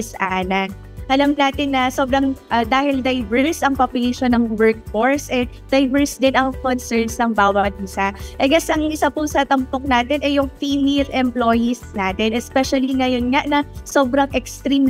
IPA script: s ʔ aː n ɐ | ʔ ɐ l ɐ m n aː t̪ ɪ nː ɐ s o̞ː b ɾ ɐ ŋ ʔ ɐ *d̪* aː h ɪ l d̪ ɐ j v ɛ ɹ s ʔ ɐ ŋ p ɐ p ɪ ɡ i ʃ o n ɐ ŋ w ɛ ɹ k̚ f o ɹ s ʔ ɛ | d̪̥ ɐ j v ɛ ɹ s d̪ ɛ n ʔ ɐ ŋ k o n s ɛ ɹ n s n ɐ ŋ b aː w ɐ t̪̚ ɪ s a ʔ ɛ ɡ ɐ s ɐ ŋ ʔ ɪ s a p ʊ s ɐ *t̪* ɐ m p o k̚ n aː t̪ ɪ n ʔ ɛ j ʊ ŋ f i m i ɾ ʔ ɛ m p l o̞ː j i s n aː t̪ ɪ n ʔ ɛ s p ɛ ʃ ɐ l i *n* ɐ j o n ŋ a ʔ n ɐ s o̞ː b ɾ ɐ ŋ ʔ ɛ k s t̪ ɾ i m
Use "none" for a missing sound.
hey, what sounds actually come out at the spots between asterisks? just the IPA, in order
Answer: d̪, t̪, ŋ

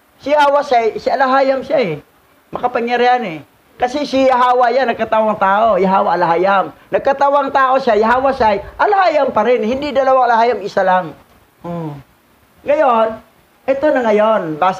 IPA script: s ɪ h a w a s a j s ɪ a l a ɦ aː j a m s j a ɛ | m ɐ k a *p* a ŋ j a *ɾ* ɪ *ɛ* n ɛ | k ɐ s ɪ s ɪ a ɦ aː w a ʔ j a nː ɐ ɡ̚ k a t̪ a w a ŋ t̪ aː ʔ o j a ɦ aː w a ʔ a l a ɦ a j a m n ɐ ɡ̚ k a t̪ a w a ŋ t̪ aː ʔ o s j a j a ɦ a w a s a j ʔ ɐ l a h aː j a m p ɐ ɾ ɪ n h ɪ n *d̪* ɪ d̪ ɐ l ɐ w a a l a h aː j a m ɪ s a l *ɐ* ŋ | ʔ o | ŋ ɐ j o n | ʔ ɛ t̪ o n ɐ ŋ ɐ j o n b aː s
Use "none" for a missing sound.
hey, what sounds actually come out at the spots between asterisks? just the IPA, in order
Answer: p, ɾ, a, d̪, a

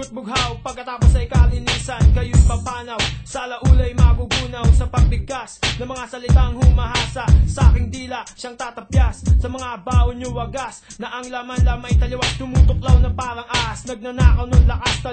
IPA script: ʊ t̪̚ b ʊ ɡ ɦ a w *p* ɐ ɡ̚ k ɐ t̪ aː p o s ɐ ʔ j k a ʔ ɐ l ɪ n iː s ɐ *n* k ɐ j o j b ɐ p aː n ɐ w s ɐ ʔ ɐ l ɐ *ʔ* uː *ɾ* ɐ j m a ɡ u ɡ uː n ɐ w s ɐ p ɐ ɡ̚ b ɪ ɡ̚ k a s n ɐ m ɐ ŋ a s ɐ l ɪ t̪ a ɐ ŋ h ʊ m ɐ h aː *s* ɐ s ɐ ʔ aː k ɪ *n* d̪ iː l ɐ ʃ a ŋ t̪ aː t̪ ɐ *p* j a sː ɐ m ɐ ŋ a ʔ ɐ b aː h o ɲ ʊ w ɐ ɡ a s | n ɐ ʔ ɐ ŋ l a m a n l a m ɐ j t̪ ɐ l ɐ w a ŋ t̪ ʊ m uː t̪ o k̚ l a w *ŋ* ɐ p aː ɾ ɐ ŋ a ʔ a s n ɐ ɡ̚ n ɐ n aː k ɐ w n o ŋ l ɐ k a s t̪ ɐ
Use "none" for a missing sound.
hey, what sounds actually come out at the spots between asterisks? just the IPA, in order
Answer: p, n, ʔ, l, s, ŋ, p, n

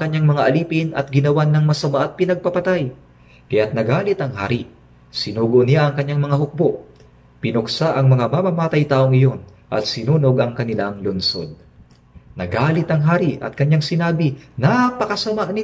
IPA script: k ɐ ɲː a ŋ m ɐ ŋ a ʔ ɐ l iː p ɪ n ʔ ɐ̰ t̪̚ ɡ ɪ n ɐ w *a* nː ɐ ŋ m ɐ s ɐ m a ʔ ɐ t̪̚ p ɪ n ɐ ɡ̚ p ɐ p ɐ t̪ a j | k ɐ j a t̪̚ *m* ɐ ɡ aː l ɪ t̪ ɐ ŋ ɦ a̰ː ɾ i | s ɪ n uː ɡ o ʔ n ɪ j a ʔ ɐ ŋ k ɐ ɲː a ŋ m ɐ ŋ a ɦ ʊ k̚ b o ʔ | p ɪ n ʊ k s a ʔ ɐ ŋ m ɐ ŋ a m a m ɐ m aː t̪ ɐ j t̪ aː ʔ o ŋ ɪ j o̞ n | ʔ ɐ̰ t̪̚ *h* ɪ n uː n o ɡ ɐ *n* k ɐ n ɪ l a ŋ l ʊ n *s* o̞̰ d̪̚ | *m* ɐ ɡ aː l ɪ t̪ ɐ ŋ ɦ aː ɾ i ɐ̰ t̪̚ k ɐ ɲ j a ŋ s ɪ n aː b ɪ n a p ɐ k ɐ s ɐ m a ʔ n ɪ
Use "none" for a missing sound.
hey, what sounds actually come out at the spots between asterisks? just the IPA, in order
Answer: a, n, s, ŋ, s, n

